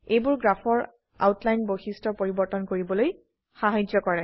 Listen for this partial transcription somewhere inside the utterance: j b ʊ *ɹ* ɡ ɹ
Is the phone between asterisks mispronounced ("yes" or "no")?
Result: no